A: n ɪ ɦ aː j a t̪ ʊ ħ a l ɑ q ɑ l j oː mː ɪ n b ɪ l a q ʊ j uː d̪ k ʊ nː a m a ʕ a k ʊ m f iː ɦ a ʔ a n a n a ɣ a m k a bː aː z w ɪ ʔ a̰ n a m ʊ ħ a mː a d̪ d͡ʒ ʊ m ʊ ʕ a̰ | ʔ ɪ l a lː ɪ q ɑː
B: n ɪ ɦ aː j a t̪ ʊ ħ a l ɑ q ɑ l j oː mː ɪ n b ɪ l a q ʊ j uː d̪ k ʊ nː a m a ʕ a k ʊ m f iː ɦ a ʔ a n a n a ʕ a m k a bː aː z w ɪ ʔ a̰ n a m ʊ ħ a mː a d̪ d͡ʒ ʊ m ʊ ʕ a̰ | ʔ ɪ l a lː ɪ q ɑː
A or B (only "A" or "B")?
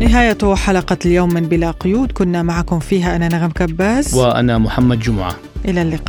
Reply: A